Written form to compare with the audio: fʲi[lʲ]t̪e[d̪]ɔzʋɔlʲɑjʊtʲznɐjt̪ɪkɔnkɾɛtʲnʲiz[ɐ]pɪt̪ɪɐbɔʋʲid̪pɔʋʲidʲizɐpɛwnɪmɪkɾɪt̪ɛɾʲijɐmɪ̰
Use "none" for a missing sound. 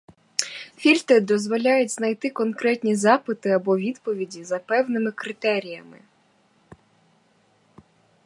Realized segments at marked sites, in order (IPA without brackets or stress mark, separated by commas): lʲ, d̪, ɑ